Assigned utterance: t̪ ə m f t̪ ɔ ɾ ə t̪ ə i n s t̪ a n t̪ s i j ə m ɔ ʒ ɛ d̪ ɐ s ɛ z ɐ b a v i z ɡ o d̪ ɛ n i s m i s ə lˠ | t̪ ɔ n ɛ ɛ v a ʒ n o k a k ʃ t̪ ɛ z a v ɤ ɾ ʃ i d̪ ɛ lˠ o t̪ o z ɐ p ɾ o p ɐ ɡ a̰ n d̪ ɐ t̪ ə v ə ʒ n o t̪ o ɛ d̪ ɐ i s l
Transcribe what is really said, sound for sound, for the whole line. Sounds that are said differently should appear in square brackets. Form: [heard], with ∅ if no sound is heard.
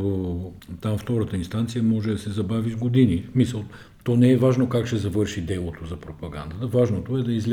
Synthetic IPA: t̪ [a] m f t̪ ɔ ɾ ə t̪ ə i n s t̪ a n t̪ s i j ə m ɔ ʒ ɛ d̪ ɐ s ɛ z ɐ b a v i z ɡ o d̪ [i] n i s m i s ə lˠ | t̪ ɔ n ɛ ɛ v a ʒ n o k a k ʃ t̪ ɛ z [ɐ] v ɤ ɾ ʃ i d̪ ɛ lˠ o t̪ o z ɐ p ɾ o p ɐ ɡ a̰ n d̪ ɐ t̪ ə v [a] ʒ n o t̪ o ɛ d̪ ɐ i [z] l